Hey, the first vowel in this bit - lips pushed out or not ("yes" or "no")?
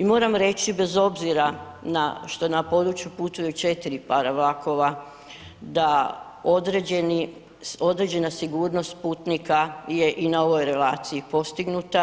no